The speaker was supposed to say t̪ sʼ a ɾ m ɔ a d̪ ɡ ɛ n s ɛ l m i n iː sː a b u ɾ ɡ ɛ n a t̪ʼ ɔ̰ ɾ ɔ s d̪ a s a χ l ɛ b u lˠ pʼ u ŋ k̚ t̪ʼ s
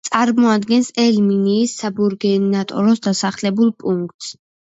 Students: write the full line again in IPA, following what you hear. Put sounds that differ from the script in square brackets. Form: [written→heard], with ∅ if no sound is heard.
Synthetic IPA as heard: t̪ sʼ a ɾ m ɔ a d̪ ɡ ɛ n s ɛ l m i n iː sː a b u ɾ ɡ ɛ n a t̪ʼ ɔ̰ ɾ ɔ s d̪ a s a χ l ɛ b u lˠ pʼ u ŋ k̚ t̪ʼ s